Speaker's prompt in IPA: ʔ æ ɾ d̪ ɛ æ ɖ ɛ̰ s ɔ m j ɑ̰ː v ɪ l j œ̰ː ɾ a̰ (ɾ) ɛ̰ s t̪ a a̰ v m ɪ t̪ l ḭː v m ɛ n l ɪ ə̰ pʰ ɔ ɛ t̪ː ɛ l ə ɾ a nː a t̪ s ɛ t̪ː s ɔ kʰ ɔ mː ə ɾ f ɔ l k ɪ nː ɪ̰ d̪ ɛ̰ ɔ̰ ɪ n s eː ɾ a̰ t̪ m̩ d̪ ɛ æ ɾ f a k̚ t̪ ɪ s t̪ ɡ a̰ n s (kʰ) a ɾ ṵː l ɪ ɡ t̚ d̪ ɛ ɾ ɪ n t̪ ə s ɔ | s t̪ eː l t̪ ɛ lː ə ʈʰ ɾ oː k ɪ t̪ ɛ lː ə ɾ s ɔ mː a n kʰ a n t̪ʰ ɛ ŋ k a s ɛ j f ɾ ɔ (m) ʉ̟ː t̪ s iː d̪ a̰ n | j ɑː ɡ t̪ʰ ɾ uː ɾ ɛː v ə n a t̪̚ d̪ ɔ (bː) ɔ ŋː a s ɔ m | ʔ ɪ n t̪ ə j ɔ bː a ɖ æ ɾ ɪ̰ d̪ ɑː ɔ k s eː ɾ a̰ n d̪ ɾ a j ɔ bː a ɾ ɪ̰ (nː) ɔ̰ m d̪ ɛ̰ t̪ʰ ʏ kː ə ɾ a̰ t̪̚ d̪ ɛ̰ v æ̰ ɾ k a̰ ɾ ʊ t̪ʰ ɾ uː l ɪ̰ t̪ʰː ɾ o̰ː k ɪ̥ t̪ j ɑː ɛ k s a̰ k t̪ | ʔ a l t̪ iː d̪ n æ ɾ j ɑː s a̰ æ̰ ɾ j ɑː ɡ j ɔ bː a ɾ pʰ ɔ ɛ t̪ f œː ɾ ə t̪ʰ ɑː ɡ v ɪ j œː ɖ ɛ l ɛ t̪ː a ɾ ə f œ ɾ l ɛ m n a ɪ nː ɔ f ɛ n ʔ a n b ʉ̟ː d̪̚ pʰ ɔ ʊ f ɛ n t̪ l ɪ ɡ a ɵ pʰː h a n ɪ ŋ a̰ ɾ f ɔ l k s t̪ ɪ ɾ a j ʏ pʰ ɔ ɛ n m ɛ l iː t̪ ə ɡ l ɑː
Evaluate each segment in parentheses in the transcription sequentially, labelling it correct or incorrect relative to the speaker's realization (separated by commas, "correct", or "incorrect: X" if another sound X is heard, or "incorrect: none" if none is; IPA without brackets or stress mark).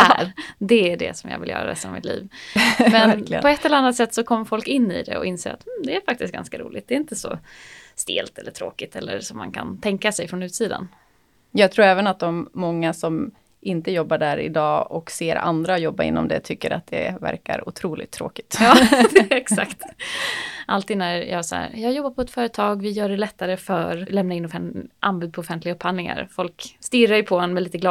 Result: correct, incorrect: k, incorrect: n, incorrect: mː, correct